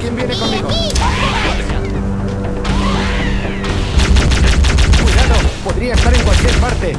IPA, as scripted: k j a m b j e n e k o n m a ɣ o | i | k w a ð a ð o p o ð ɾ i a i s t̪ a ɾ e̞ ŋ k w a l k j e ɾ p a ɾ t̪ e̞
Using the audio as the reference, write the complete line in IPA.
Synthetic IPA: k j e m b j e n e k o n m i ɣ o | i | k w i ð a ð o p o ð ɾ i a e s t̪ a ɾ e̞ ŋ k w a l k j e ɾ p a ɾ t̪ e̞